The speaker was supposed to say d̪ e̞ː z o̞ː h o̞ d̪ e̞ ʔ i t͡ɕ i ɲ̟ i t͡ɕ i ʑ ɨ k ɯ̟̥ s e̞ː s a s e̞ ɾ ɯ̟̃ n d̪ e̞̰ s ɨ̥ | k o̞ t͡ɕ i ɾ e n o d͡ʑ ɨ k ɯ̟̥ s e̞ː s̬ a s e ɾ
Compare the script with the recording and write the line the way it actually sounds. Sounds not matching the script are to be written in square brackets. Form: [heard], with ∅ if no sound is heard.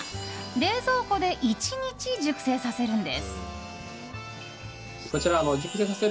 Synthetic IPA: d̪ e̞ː z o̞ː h o̞ d̪ e̞ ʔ i t͡ɕ i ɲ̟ i t͡ɕ i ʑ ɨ k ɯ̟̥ s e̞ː s a s e̞ ɾ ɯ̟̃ n d̪ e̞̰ s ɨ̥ | k o̞ t͡ɕ i ɾ [a] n o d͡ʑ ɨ k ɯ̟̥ s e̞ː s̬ a s e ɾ